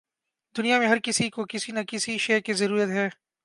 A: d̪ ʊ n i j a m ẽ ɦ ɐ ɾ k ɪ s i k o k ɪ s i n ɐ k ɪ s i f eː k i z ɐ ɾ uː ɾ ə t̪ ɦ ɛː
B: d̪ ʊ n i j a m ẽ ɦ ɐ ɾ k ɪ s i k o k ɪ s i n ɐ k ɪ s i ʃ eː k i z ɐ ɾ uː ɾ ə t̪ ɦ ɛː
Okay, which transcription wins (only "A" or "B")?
B